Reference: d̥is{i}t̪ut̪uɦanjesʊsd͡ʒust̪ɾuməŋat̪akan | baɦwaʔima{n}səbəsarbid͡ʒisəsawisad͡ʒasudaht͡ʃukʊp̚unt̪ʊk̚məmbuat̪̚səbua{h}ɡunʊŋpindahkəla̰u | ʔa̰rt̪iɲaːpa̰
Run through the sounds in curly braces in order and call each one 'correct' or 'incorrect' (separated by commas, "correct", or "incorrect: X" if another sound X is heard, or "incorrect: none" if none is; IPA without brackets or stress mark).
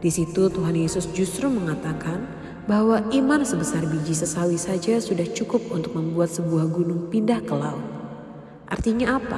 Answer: correct, correct, correct